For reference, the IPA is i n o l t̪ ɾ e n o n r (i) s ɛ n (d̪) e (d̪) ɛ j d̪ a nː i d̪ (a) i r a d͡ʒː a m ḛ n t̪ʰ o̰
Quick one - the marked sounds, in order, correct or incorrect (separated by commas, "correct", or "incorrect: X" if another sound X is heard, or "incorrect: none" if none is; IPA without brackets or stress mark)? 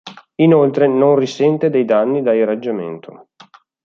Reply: correct, incorrect: t̪, correct, correct